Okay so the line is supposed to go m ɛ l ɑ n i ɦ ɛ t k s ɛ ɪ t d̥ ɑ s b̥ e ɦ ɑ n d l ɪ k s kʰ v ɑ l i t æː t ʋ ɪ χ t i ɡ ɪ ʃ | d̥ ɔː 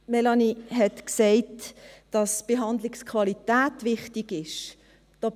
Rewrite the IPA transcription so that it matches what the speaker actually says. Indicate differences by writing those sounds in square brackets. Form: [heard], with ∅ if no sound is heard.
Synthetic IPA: m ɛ l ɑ n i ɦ ɛ t k s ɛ ɪ t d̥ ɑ s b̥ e ɦ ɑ n d l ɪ k s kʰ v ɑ l i t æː t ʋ ɪ χ t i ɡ ɪ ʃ | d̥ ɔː